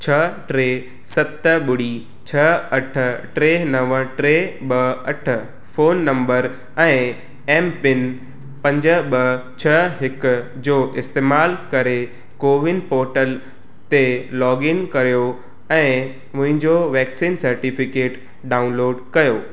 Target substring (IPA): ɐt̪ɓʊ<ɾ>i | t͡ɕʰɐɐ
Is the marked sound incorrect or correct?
incorrect